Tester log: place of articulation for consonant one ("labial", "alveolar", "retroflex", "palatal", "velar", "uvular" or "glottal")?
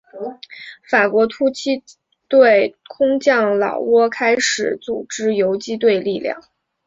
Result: labial